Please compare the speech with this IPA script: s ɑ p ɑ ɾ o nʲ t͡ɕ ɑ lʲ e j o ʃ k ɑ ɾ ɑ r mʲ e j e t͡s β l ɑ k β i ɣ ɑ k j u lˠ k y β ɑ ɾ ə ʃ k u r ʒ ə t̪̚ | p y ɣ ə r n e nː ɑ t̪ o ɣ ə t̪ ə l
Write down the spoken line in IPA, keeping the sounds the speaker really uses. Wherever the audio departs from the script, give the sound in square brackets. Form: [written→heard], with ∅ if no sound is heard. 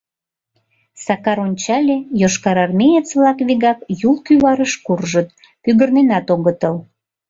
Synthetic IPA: s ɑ [p→k] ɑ ɾ o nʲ t͡ɕ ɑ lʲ e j o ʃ k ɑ ɾ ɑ r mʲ e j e t͡s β l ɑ k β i ɣ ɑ k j u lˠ k y β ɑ ɾ ə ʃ k u r ʒ ə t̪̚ | p y ɣ ə r n e [nː→n] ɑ t̪ o ɣ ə t̪ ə l